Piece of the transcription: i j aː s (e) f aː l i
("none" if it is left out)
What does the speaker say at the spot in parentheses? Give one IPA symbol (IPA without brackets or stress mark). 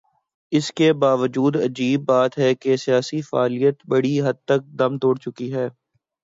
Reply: i